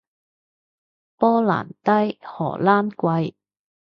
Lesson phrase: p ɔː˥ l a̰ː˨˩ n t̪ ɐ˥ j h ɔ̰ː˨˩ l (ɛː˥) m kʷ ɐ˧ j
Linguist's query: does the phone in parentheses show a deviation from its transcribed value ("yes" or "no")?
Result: yes